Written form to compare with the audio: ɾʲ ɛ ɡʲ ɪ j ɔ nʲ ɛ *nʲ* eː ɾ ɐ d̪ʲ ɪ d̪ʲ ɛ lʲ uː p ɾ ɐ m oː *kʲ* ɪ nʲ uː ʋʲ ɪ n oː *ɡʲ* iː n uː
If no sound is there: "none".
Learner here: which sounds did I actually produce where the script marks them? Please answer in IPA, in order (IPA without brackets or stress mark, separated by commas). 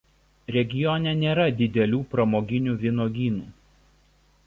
nʲ, ɡʲ, ɡʲ